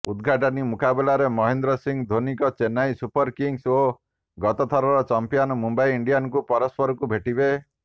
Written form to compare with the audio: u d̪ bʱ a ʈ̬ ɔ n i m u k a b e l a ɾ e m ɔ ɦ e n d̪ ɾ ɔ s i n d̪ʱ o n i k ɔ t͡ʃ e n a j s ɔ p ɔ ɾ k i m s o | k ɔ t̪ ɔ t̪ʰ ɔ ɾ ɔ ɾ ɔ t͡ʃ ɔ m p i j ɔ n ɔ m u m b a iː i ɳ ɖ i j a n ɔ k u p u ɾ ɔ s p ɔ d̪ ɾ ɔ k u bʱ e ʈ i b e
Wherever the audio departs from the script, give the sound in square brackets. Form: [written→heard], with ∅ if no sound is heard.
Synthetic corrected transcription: u d̪ [bʱ→ɡʱ] a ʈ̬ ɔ n i m u k a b e l a ɾ e m ɔ ɦ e n d̪ ɾ ɔ s i [n→ŋ] d̪ʱ o n i k ɔ t͡ʃ e n a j s [ɔ→u] p ɔ ɾ k i [m→ŋ] s o | [k→ɡ] ɔ t̪ ɔ t̪ʰ ɔ ɾ ɔ ɾ ɔ t͡ʃ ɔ m p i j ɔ n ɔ m u m b a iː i ɳ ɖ i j a n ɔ k u p [u→ɔ] ɾ ɔ s p ɔ [d̪→∅] ɾ ɔ k u bʱ e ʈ i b e